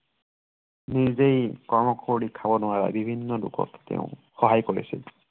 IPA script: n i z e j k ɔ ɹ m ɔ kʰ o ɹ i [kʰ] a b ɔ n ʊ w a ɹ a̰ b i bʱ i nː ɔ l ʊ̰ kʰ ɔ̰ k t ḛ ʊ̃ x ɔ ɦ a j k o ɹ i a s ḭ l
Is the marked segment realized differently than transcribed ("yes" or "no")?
no